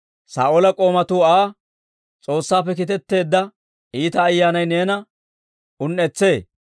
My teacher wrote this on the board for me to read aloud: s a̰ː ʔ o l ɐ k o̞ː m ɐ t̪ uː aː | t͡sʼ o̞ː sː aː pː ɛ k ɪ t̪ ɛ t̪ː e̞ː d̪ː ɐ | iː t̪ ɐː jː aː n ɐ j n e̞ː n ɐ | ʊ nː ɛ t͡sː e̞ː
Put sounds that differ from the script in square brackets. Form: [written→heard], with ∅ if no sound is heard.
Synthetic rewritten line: s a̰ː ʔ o l ɐ [k→kʼ] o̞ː m ɐ t̪ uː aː | t͡sʼ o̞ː sː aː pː ɛ k ɪ t̪ ɛ t̪ː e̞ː d̪ː ɐ | iː t̪ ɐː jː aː n ɐ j n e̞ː n ɐ | ʊ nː ɛ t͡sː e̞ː

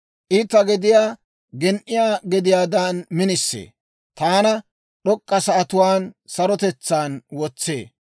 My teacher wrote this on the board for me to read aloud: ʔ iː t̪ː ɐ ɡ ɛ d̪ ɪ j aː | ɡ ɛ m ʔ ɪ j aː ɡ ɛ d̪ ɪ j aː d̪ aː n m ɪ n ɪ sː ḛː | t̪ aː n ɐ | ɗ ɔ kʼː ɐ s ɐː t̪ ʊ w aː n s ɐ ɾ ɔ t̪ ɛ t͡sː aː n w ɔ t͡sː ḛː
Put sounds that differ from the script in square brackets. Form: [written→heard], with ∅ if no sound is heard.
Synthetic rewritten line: ʔ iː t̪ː ɐ ɡ ɛ d̪ ɪ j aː | ɡ ɛ [m→n] ʔ ɪ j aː ɡ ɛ d̪ ɪ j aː d̪ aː n m ɪ n ɪ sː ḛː | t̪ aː n ɐ | ɗ ɔ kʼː ɐ s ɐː t̪ ʊ w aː n s ɐ ɾ ɔ t̪ ɛ t͡sː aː n w ɔ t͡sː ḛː

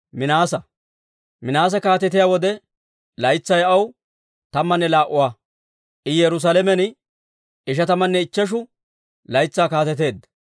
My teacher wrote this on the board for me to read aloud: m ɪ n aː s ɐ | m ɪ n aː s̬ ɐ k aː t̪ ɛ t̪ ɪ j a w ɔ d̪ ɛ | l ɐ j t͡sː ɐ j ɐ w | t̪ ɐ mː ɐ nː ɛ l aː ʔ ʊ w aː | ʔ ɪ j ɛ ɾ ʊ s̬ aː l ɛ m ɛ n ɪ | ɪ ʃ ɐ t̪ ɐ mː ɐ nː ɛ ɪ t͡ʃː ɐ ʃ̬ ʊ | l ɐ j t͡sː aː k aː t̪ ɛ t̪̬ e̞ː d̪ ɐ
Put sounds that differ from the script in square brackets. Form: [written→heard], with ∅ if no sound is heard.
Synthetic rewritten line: m ɪ n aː s ɐ | m ɪ n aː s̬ ɐ k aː t̪ ɛ t̪ ɪ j a w ɔ d̪ ɛ | l ɐ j t͡sː ɐ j ɐ w | t̪ ɐ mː ɐ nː ɛ l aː ʔ ʊ w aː | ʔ ɪ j ɛ ɾ ʊ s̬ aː l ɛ m ɛ n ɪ | ɪ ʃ ɐ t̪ ɐ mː ɐ nː ɛ ɪ t͡ʃː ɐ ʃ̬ ʊ | l ɐ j t͡sː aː k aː t̪ ɛ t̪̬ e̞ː d̪ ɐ

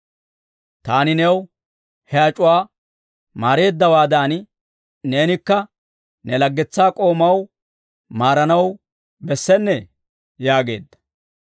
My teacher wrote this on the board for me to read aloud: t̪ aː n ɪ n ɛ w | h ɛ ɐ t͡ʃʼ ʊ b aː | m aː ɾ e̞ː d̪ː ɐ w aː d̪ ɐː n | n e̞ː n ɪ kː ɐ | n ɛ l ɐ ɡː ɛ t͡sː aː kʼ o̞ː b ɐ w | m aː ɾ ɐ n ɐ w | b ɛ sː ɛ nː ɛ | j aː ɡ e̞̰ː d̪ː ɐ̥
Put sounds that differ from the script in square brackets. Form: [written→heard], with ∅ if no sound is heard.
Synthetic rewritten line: t̪ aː n ɪ n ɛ w | h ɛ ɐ t͡ʃʼ ʊ [b→w] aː | m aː ɾ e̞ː d̪ː ɐ w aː d̪ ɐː n | n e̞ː n ɪ kː ɐ | n ɛ l ɐ ɡː ɛ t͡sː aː kʼ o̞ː [b→m] ɐ w | m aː ɾ ɐ n ɐ w | b ɛ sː ɛ nː ɛ | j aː ɡ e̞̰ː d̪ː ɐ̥

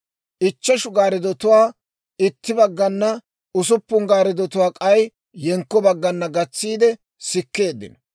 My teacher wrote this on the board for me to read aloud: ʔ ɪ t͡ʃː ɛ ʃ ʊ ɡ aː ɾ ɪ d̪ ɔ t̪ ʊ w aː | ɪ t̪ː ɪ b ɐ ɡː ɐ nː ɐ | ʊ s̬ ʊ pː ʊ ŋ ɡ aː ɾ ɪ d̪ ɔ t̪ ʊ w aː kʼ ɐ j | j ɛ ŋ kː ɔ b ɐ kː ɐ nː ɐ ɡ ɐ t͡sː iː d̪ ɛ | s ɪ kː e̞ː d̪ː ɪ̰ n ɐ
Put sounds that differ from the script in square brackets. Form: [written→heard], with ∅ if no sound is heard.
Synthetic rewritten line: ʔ ɪ t͡ʃː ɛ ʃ ʊ ɡ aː ɾ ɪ d̪ ɔ t̪ ʊ w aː | ɪ t̪ː ɪ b ɐ ɡː ɐ nː ɐ | ʊ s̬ ʊ pː ʊ ŋ ɡ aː ɾ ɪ d̪ ɔ t̪ ʊ w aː kʼ ɐ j | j ɛ ŋ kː ɔ b ɐ [kː→ɡː] ɐ nː ɐ ɡ ɐ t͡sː iː d̪ ɛ | s ɪ kː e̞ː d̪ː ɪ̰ n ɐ

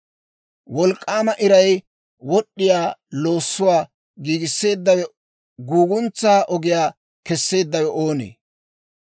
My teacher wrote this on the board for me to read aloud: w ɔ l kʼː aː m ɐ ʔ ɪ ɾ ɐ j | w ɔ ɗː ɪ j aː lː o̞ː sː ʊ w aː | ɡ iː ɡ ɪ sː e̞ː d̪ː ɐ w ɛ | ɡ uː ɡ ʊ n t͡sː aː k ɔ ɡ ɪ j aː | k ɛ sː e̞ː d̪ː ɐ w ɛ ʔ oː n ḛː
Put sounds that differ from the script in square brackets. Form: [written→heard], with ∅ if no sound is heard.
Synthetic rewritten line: w ɔ l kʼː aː m ɐ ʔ ɪ ɾ ɐ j | w ɔ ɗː ɪ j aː [lː→l] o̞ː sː ʊ w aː | ɡ iː ɡ ɪ sː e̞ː d̪ː ɐ w ɛ | ɡ uː ɡ ʊ n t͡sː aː [k→ʔ] ɔ ɡ ɪ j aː | k ɛ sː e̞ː d̪ː ɐ w ɛ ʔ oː n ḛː

